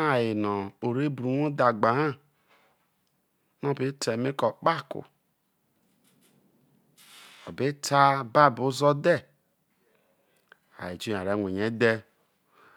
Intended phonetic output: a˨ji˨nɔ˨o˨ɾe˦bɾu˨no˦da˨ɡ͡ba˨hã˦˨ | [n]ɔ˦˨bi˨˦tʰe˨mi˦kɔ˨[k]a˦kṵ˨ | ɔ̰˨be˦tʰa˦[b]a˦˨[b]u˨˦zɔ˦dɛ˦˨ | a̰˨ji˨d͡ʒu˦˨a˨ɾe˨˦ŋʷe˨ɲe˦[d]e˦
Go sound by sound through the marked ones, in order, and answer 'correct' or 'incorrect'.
correct, incorrect: k͡p, correct, correct, correct

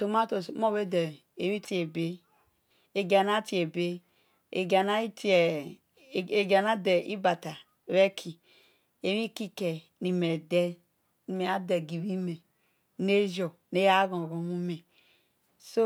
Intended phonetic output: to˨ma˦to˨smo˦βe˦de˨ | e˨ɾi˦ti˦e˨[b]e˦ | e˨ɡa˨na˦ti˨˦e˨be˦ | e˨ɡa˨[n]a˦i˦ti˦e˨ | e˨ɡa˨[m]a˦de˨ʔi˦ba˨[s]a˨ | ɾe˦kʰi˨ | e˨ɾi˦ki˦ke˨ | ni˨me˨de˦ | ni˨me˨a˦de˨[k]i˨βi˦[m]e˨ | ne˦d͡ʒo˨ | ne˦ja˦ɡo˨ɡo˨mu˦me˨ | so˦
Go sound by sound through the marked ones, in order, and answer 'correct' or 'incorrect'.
correct, correct, incorrect: n, incorrect: t, incorrect: ɡ, correct

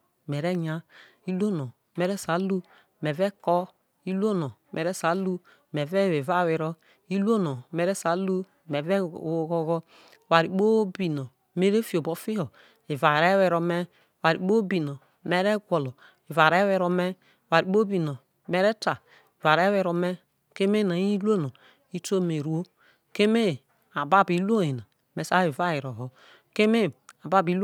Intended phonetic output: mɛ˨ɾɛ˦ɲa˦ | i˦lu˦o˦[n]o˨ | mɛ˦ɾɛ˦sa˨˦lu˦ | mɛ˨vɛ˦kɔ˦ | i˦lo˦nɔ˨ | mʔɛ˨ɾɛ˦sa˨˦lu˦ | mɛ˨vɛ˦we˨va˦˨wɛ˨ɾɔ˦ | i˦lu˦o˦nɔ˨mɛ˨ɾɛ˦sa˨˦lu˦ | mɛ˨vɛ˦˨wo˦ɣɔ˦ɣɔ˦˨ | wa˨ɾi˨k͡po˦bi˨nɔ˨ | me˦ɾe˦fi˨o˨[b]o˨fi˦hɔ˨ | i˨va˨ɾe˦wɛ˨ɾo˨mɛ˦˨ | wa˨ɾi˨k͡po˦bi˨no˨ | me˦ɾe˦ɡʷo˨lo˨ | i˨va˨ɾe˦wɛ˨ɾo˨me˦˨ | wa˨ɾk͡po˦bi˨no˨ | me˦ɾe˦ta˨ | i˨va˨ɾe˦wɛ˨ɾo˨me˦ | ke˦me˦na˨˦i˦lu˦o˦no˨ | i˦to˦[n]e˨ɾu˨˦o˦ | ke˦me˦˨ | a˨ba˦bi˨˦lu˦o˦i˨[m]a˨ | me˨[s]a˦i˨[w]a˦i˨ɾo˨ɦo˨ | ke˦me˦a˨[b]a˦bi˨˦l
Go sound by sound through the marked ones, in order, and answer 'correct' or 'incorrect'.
correct, correct, incorrect: m, incorrect: n, correct, incorrect: v, correct

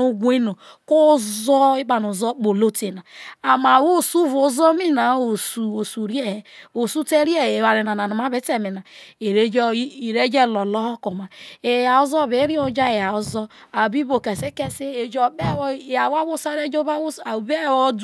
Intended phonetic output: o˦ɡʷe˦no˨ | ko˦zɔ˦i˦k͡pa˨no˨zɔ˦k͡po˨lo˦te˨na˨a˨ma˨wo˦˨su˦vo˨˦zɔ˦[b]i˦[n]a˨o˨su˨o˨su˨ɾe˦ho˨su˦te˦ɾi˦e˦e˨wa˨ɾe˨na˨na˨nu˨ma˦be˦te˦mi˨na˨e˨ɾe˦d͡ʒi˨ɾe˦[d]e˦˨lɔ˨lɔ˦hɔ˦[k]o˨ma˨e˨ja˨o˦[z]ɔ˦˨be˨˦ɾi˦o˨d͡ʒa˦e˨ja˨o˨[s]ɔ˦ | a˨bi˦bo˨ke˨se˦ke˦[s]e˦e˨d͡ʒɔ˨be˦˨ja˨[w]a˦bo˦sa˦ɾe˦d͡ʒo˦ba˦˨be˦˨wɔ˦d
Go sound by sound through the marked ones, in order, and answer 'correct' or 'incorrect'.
incorrect: m, correct, incorrect: d͡ʒ, correct, correct, incorrect: z, correct, correct

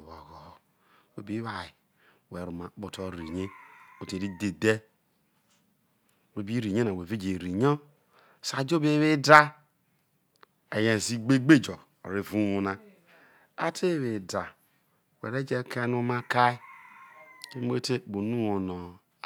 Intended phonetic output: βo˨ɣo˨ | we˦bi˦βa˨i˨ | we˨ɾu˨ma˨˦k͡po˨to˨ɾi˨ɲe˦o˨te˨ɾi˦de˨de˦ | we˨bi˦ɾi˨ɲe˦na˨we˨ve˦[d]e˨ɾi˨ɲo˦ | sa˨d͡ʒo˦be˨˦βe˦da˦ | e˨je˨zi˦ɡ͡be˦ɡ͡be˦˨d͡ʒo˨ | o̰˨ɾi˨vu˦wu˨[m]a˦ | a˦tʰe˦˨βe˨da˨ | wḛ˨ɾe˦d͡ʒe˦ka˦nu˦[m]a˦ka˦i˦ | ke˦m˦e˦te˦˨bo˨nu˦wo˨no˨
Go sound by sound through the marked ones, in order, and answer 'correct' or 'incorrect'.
incorrect: d͡ʒ, incorrect: n, correct

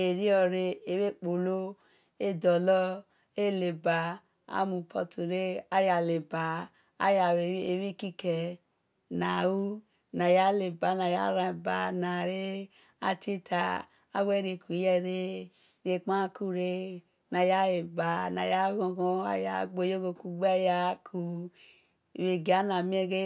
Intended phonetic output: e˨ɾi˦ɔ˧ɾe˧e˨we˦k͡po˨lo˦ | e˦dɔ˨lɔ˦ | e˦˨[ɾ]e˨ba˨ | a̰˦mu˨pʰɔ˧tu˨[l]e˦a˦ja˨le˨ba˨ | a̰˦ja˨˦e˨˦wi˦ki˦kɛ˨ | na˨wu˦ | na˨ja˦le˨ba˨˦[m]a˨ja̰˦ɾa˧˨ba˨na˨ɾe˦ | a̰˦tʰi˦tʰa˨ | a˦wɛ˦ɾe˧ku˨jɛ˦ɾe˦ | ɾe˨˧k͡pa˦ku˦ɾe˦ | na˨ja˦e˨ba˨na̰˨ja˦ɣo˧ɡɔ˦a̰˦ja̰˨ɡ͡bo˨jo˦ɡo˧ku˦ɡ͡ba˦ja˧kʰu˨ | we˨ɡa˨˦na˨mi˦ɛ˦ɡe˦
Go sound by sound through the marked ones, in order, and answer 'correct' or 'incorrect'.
incorrect: l, incorrect: ɾ, incorrect: n

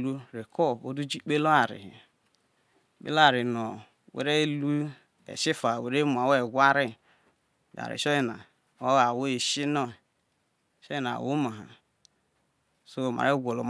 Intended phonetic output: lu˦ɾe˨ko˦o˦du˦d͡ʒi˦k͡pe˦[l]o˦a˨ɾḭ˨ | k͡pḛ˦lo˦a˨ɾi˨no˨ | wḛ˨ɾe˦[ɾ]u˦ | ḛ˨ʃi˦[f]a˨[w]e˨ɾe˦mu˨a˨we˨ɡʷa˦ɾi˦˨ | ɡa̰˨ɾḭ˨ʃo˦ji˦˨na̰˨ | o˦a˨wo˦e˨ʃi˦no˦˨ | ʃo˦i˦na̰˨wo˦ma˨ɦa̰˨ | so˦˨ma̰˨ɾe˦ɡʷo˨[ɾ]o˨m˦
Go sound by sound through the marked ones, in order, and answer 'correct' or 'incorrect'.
correct, incorrect: l, correct, correct, incorrect: l

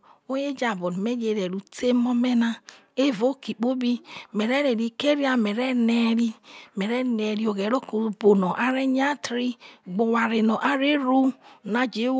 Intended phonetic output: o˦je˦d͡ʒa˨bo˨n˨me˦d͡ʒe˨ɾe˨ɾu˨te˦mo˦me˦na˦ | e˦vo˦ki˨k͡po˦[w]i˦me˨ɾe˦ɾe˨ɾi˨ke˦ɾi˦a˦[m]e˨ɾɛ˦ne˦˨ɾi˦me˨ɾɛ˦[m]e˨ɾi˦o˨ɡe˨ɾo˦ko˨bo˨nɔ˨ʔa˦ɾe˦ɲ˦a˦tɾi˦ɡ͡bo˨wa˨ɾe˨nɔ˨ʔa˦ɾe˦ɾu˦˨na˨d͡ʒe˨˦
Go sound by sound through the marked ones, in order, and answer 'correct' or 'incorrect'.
incorrect: b, correct, incorrect: n

